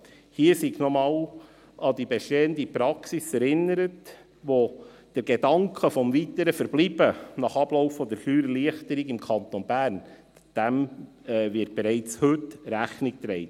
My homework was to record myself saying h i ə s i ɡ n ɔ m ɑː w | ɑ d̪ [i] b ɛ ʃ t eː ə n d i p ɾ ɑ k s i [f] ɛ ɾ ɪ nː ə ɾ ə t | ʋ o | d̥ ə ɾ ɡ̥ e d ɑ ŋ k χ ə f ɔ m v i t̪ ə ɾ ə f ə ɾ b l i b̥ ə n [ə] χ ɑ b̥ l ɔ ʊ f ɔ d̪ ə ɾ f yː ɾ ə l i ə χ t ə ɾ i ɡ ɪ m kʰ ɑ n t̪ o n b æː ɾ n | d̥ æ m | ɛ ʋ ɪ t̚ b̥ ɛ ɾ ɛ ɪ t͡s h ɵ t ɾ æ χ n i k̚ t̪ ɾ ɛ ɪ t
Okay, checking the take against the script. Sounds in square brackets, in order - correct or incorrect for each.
correct, incorrect, incorrect

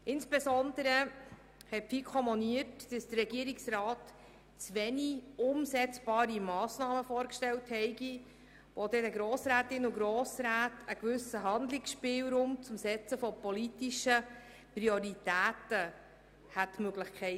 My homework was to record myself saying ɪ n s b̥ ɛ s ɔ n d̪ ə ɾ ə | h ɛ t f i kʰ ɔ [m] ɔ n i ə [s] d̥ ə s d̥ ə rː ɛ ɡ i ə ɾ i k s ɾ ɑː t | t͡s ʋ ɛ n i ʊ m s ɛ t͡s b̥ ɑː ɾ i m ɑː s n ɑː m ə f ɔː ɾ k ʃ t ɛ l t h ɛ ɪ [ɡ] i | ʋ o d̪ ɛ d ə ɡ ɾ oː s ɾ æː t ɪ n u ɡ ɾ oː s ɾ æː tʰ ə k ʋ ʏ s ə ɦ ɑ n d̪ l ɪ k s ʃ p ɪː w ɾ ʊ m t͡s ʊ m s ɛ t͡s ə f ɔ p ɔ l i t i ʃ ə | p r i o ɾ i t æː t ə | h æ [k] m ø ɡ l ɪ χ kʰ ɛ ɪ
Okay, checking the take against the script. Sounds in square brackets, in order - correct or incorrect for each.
correct, incorrect, correct, incorrect

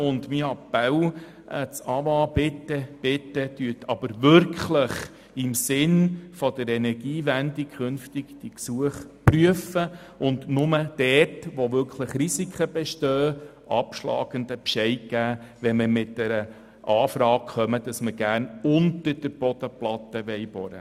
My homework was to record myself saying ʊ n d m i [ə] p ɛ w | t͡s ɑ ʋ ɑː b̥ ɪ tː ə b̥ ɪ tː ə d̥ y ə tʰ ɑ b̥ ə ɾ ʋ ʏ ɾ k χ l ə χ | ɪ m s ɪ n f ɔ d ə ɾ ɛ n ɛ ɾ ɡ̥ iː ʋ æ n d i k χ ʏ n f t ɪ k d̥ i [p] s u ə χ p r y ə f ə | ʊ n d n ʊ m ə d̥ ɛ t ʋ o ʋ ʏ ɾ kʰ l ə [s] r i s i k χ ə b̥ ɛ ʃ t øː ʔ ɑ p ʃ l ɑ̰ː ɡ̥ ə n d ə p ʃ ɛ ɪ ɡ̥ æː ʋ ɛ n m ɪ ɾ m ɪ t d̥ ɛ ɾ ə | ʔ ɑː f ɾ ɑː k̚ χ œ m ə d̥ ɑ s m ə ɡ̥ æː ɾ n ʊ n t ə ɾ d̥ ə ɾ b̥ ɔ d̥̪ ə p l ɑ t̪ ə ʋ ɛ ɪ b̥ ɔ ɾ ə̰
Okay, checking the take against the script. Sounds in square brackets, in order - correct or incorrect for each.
incorrect, incorrect, incorrect

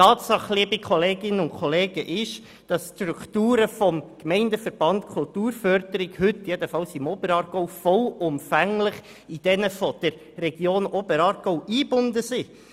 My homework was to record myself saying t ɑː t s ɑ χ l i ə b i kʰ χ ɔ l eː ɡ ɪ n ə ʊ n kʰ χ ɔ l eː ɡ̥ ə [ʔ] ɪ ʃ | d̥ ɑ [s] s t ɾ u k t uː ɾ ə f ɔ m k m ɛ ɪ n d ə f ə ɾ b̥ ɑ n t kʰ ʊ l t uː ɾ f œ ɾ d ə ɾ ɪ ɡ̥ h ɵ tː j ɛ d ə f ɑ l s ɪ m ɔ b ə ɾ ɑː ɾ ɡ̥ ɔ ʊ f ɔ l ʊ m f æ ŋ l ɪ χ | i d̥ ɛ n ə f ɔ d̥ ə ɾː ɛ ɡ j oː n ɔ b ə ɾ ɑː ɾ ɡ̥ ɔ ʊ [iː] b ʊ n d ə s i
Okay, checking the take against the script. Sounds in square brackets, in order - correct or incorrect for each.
correct, correct, correct

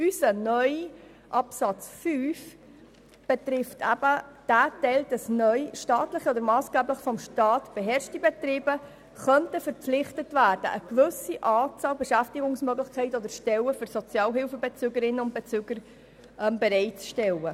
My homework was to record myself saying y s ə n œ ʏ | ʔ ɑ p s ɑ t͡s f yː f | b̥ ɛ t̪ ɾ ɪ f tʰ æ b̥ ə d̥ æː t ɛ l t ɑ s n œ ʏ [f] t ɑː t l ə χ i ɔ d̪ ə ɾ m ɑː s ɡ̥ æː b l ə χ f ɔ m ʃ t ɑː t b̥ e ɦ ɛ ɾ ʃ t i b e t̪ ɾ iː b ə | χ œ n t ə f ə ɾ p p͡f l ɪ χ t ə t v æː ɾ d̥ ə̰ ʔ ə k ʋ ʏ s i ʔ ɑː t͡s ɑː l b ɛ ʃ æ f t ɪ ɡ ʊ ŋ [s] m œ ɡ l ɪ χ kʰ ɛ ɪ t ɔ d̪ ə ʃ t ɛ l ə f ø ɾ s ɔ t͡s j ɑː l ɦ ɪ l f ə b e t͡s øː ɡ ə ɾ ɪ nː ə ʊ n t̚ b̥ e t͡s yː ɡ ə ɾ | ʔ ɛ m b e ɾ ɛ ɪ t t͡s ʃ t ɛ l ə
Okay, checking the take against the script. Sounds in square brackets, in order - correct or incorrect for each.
incorrect, correct

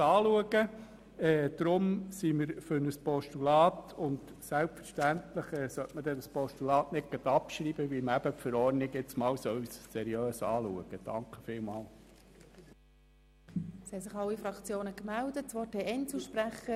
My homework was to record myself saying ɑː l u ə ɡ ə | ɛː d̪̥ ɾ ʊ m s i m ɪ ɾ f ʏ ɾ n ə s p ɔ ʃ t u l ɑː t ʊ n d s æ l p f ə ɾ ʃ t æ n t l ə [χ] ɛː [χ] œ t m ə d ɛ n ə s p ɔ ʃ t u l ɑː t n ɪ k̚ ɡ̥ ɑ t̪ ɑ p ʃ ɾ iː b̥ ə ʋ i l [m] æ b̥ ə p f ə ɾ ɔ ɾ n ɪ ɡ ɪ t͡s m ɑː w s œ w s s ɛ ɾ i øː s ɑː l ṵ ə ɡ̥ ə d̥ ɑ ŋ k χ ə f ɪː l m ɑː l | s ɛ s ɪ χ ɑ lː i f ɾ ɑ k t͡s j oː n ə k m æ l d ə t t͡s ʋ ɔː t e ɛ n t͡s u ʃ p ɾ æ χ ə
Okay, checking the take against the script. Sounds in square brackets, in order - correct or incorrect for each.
correct, incorrect, correct

